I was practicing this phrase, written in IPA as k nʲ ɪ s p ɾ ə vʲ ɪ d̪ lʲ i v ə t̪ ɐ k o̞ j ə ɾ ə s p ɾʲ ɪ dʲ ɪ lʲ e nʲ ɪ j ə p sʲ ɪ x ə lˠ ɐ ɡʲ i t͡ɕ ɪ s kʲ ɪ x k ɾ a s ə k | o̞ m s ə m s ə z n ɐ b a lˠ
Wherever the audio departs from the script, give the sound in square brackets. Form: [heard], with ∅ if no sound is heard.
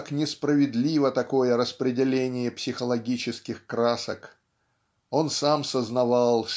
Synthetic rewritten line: k nʲ ɪ s p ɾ ə vʲ ɪ d̪ lʲ i v ə t̪ ɐ k o̞ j ə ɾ ə s p ɾʲ ɪ dʲ ɪ lʲ e nʲ ɪ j ə p sʲ ɪ x ə lˠ ɐ ɡʲ i t͡ɕ ɪ s kʲ ɪ x k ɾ a s ə k | o̞ [n] s [a] m s ə z n ɐ [v] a lˠ